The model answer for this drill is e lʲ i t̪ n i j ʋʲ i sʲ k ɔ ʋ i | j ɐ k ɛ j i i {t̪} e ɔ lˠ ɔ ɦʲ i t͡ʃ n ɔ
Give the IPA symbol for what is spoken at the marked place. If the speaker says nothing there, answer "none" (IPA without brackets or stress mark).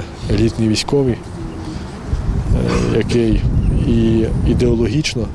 d̪